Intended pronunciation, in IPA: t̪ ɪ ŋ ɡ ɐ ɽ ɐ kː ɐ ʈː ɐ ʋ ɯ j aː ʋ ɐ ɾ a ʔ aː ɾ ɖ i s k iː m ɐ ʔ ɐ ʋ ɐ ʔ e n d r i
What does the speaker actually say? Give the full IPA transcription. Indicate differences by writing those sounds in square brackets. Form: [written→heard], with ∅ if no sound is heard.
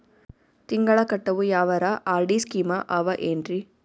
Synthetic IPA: t̪ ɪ ŋ ɡ ɐ [ɽ→ɭ] ɐ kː ɐ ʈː ɐ ʋ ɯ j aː ʋ ɐ ɾ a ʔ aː ɾ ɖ i s k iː m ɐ ʔ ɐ ʋ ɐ ʔ e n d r i